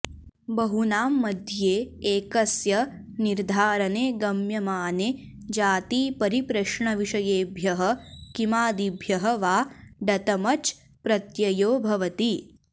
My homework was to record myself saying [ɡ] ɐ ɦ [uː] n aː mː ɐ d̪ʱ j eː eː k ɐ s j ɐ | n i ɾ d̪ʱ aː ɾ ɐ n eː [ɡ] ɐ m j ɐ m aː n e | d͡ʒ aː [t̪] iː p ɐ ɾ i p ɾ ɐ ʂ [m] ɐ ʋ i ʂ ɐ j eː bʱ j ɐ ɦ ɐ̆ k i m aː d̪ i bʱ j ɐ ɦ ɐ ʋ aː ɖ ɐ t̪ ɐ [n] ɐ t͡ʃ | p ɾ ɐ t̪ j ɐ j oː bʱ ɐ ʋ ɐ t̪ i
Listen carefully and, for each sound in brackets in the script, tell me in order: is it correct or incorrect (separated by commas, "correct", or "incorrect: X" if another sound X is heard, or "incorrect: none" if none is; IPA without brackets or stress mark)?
incorrect: b, incorrect: u, correct, correct, incorrect: ɳ, incorrect: m